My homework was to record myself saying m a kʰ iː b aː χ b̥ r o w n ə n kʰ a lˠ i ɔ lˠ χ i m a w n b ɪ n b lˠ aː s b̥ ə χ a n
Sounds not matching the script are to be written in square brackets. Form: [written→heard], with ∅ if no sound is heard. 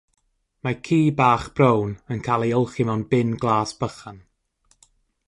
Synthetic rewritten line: m a kʰ iː b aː χ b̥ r o w n ə n kʰ a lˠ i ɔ lˠ χ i m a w n b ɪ n [b→ɡ] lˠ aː s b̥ ə χ a n